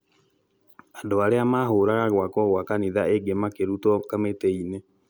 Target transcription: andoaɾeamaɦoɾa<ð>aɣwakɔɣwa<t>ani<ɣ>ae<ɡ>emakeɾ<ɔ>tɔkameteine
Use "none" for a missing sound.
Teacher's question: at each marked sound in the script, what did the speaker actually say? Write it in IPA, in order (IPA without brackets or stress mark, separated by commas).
ɣ, k, ð, ɡ, u